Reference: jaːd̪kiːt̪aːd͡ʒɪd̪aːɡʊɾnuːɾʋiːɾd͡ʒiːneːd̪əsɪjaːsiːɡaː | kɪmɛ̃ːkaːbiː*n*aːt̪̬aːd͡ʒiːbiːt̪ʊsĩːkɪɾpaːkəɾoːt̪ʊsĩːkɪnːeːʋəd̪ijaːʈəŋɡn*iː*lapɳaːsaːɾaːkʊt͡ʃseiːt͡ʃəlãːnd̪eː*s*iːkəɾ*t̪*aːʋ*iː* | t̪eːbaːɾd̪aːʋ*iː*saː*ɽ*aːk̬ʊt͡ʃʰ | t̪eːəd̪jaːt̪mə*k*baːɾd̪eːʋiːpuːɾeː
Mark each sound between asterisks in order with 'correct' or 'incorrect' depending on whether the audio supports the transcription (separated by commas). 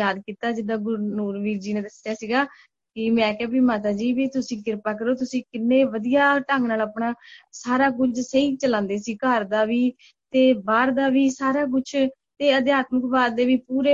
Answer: incorrect, incorrect, correct, incorrect, correct, correct, incorrect, correct